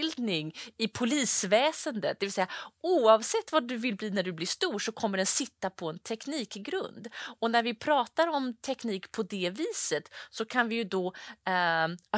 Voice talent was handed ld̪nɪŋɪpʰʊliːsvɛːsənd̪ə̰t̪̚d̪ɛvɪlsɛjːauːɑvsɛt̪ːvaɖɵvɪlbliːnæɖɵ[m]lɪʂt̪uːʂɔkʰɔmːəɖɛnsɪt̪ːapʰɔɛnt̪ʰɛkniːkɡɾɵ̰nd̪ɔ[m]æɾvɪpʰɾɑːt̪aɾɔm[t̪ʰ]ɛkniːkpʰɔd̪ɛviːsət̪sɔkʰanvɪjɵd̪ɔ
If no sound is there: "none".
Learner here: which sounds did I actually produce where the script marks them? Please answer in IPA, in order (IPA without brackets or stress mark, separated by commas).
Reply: b, n, t̪ʰ